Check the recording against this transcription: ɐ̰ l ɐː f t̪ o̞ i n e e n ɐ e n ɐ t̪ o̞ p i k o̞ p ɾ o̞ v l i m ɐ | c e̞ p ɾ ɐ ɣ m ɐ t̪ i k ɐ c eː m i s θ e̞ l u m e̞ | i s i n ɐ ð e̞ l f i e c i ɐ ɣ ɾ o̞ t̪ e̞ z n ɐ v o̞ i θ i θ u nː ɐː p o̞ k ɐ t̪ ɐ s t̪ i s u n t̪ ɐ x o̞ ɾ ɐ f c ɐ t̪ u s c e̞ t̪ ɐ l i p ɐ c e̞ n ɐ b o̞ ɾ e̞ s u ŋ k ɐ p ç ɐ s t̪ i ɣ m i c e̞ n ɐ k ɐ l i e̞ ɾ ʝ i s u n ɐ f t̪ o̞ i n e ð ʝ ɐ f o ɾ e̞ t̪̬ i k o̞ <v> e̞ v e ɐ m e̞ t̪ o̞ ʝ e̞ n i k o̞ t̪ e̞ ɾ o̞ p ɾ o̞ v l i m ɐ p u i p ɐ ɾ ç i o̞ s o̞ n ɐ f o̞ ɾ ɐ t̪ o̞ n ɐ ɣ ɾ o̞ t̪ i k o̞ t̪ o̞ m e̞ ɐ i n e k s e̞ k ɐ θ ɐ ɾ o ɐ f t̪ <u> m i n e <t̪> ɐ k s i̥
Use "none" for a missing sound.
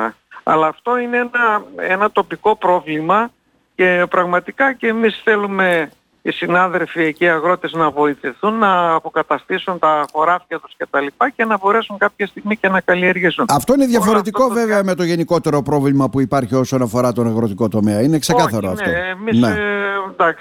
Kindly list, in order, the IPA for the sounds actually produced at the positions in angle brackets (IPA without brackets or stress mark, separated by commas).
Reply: v, o, d̪